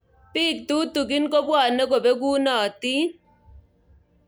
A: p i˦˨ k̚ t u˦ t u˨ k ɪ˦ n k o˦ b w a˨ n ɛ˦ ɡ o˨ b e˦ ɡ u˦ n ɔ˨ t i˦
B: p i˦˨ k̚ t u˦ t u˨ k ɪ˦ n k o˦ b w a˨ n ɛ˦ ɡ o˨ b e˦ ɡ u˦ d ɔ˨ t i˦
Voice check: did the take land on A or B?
A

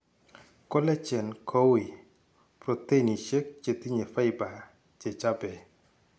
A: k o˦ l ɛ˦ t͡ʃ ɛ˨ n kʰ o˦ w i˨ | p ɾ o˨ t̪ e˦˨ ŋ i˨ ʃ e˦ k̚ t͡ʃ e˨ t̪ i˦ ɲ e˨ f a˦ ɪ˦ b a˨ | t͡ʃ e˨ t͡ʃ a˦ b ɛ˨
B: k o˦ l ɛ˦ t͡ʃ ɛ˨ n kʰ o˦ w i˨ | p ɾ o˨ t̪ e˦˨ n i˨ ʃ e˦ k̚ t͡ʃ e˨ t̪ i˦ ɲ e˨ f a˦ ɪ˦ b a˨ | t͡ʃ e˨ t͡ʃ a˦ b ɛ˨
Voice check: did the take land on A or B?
B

